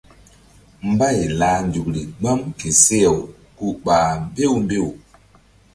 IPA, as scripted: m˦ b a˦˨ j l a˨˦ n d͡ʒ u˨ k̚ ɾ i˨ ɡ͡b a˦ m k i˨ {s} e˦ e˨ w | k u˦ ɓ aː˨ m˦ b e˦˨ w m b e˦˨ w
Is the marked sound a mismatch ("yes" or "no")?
no